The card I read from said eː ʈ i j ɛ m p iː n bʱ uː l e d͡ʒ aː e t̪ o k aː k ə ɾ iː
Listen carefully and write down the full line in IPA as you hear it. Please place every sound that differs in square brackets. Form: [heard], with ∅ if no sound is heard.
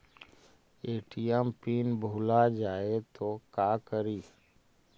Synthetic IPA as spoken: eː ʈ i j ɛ m p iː n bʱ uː l [a] d͡ʒ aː e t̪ o k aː k ə ɾ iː